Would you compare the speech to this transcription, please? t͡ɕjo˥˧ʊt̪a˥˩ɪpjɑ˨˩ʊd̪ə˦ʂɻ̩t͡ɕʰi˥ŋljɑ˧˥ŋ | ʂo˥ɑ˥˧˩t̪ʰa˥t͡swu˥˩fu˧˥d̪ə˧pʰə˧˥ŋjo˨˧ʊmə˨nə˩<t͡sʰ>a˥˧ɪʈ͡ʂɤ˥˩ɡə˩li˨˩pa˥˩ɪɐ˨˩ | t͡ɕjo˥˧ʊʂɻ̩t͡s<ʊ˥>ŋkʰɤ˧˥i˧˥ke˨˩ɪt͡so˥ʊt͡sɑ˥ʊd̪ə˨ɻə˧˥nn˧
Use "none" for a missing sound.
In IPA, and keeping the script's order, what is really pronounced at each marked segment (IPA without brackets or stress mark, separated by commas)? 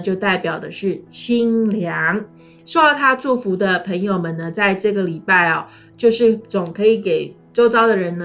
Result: t͡s, ʊ˨˩